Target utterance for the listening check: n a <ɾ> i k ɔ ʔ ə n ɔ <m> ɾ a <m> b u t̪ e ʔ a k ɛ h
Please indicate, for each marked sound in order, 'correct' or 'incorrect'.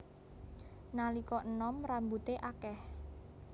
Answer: incorrect: l, correct, correct

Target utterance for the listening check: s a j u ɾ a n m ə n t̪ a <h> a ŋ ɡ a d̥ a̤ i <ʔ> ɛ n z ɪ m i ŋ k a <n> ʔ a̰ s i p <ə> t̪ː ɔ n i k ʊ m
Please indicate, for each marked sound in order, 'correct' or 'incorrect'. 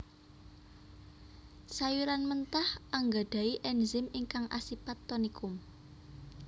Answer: correct, correct, incorrect: ŋ, incorrect: a

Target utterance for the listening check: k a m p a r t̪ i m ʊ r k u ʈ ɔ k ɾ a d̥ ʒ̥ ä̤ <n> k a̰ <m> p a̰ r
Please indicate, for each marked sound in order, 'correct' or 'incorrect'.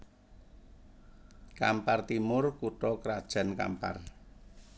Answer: correct, correct

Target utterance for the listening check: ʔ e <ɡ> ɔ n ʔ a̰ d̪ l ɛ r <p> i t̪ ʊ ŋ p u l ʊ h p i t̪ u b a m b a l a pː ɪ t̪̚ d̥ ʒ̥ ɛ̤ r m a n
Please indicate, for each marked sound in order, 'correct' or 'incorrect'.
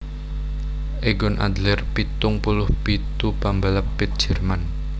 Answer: correct, correct

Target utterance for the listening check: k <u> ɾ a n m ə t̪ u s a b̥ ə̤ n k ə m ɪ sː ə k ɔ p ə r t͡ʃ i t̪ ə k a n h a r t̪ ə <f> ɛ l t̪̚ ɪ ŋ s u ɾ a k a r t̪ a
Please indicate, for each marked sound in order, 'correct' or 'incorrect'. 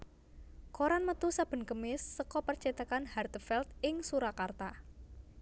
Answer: incorrect: o, correct

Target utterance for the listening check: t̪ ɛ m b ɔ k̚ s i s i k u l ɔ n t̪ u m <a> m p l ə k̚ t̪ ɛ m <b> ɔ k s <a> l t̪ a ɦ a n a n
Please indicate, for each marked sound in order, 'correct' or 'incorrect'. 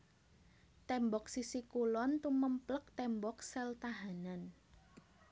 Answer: incorrect: ə, correct, incorrect: ɛ

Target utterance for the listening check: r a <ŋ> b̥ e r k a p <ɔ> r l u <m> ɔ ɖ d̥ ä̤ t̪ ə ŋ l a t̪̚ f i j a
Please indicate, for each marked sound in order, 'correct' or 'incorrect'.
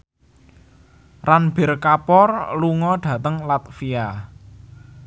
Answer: incorrect: n, correct, incorrect: ŋ

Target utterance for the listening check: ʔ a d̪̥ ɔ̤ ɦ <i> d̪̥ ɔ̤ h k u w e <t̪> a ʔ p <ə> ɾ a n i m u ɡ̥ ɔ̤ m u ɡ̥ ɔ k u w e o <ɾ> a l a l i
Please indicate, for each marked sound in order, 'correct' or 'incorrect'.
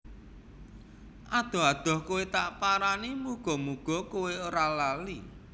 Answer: incorrect: a, correct, incorrect: a, correct

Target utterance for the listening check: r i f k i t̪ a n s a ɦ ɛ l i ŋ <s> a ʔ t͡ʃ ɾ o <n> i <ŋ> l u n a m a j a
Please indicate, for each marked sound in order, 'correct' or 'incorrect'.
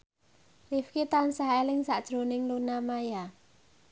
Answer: correct, correct, correct

